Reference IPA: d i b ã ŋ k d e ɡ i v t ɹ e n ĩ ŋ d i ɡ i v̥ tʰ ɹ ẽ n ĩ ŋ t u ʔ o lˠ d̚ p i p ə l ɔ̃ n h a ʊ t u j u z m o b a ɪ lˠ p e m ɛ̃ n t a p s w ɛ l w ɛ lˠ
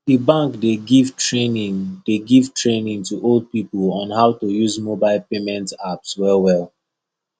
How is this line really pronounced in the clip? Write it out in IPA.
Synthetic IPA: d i b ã ŋ k d e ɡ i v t ɹ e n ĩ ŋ d e ɡ i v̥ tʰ ɹ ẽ n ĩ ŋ t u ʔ o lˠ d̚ p i p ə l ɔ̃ n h a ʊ t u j u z m o b a ɪ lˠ p e m ɛ̃ n t a p s w ɛ l w ɛ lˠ

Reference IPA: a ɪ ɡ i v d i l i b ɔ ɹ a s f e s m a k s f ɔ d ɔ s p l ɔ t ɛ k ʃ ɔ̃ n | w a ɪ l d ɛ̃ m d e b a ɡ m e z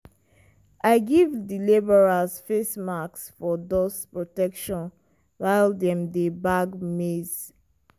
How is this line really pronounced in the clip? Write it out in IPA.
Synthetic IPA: a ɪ ɡ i v d i l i b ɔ ɹ a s f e s m a k s f ɔ d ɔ s p ɹ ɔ t ɛ k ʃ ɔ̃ n | w a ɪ l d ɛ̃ m d e b a ɡ m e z

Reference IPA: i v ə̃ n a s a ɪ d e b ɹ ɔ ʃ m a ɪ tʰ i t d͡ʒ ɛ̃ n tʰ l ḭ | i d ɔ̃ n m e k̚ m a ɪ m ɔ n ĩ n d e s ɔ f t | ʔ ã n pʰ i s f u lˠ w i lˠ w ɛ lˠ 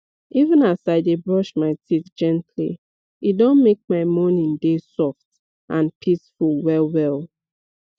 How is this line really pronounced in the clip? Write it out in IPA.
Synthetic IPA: i v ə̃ n a s a ɪ d e b ɹ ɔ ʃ m a ɪ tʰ i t d͡ʒ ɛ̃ n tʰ l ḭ | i d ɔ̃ n m e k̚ m a ɪ m ɔ n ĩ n d e s ɔ f t | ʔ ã n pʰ i s f u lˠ w ɛ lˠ w ɛ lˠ

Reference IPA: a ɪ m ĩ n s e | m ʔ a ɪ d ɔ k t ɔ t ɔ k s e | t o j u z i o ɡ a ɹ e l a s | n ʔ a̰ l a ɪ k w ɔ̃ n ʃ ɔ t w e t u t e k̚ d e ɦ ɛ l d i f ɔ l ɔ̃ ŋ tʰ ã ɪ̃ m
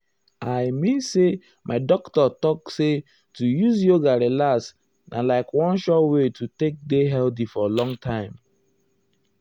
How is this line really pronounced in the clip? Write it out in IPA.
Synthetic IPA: a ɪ m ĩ n s e | m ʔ a ɪ d ɔ k t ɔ t ɔ k s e | t u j u z j o ɡ a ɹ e l a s | n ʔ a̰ l a ɪ k w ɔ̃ n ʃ ɔ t w e t u t e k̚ d e ɦ ɛ l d i f ɔ l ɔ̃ ŋ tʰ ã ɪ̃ m

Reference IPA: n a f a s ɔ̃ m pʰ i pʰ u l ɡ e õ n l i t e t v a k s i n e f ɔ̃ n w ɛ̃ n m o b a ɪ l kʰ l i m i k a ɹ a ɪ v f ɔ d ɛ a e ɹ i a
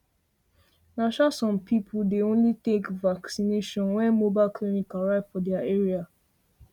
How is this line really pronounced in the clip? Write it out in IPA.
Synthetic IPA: n a ʃ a s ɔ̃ m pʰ i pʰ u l d e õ n l i t e k v a k s i n e ʃ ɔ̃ n w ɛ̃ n m o b a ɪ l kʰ l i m i k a ɹ a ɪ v f ɔ d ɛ a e ɹ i a

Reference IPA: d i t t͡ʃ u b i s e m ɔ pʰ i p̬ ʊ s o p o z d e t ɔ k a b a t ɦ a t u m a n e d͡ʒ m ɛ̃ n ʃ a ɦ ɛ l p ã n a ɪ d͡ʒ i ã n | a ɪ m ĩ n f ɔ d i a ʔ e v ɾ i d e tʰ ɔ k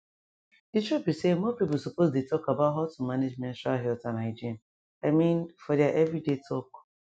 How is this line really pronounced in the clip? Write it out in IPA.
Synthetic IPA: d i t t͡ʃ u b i s e m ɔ p i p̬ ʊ s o p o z d e t ɔ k a b a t ɦ a t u m a n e d͡ʒ m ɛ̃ n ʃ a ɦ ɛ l t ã n a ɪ d͡ʒ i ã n | a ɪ m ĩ n f ɔ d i a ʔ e v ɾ i d e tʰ ɔ k

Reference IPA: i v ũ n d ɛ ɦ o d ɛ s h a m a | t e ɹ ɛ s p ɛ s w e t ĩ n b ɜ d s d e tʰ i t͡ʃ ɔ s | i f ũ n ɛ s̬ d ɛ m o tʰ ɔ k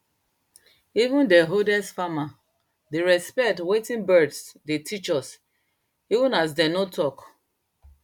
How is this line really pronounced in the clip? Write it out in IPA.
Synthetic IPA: i v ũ n d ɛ ɦ o d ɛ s f a m a | d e ɹ ɛ s p ɛ t w e t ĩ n b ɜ d s d e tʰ i t͡ʃ ɔ s | i v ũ n a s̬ d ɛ n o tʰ ɔ k

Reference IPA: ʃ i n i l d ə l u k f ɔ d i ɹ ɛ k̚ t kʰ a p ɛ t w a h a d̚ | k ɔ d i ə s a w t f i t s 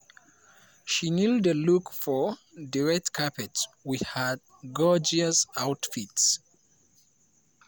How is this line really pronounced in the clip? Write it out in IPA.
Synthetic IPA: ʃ i n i l d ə l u k f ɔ d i ɹ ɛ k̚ t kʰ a p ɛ t w i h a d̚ | ɡ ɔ d͡ʒ i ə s a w t f i t s

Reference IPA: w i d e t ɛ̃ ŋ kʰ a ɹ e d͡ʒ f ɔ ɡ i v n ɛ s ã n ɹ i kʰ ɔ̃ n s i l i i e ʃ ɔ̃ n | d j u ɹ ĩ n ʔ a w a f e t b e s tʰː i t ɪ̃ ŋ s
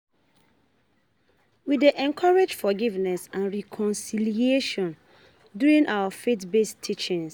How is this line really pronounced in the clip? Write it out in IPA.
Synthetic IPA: w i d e ʔ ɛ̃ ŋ kʰ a ɹ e d͡ʒ f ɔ ɡ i v n ɛ s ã n ɹ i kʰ ɔ̃ n s i l i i e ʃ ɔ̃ n | d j u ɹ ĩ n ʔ a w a f e t b e s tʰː i t͡ʃ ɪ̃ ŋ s

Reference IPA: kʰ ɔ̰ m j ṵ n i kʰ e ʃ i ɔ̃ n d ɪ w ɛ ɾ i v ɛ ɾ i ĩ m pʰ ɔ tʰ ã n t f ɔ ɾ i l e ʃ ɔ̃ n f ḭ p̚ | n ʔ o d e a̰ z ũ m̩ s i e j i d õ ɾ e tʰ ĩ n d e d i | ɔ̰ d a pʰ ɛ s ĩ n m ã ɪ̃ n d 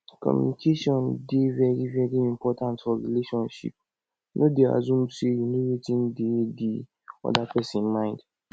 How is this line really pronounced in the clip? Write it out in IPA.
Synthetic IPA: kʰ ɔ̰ m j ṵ n i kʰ e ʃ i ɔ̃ n d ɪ v ɛ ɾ i v ɛ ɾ i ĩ m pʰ ɔ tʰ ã n t f ɔ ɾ i l e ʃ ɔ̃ n ʃ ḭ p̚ | n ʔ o d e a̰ z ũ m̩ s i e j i n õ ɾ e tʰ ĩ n d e d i | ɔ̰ d a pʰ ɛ s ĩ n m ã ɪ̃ n d

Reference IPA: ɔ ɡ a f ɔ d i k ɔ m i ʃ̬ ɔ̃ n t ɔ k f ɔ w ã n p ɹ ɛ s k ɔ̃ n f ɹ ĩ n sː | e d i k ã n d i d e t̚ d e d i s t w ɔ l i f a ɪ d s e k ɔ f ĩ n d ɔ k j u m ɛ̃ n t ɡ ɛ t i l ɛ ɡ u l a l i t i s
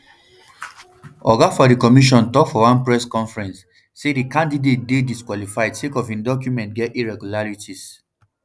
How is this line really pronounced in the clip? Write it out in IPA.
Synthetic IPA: ɔ ɡ a f ɔ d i k ɔ m i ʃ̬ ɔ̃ n t ɔ k f ɔ w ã n p ɹ ɛ s k ɔ̃ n f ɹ ɛ̃ n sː | e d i k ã n d i d e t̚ d e d i s k w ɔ l i f a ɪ d s e k ɔ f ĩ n d ɔ k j u m ɛ̃ n t ɡ ɛ t i ɹ ɛ ɡ u l a ɹ i t i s

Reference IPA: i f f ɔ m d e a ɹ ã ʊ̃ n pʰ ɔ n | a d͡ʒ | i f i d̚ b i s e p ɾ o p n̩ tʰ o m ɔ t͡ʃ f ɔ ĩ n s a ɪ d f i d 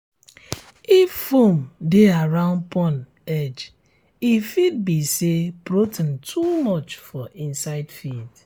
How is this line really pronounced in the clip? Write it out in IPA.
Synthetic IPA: i f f o m d e a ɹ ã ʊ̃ n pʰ ɔ n | ɛ d͡ʒ | i f i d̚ b i s e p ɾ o t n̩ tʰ u m ɔ t͡ʃ f ɔ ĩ n s a ɪ d f i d

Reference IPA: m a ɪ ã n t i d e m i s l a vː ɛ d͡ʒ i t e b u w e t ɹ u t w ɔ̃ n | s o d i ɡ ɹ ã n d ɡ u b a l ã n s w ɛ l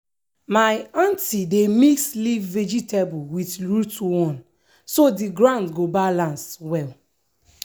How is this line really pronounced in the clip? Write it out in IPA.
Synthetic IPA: m a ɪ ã n t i d e m i s l i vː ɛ d͡ʒ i t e b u w i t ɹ u t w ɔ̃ n | s o d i ɡ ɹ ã n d ɡ o b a l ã n s w ɛ l

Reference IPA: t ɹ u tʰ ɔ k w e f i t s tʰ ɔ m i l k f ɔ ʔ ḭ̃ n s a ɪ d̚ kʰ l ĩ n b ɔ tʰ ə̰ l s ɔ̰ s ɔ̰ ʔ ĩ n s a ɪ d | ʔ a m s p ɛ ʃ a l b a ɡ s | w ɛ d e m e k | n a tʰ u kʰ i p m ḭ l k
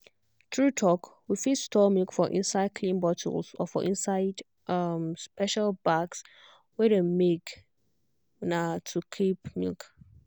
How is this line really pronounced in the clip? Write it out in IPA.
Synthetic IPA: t ɹ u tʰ ɔ k w i f i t s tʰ ɔ m i l k f ɔ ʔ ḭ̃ n s a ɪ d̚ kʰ l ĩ n b ɔ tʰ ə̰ l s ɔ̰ f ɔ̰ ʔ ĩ n s a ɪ d | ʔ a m s p ɛ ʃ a l b a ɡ s | w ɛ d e m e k | n a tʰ u kʰ i p m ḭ l k

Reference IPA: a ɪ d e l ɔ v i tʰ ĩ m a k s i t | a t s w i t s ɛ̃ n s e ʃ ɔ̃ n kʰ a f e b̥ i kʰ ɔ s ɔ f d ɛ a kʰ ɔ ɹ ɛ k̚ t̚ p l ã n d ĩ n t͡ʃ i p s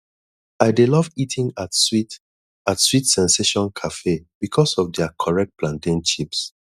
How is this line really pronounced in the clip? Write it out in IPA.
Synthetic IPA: a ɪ d e l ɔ v i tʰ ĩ ŋ a t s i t | a t s w i t s ɛ̃ n s e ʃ ɔ̃ n kʰ a f e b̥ i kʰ ɔ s ɔ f d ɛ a kʰ ɔ ɹ ɛ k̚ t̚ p l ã n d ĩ n t͡ʃ i p s

